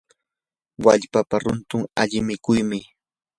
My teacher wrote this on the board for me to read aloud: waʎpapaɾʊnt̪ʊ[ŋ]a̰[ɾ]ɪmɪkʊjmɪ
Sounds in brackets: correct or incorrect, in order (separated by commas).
correct, incorrect